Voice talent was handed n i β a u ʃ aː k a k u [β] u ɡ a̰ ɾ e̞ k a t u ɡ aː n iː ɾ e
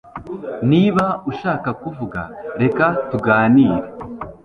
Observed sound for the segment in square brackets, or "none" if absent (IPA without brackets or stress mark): v